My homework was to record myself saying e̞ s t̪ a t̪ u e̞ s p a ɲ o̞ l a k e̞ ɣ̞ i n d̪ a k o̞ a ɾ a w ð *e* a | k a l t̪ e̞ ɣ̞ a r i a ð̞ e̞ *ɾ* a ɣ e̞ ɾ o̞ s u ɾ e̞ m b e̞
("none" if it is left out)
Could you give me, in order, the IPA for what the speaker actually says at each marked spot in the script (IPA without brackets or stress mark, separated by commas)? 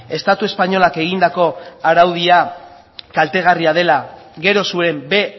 i, l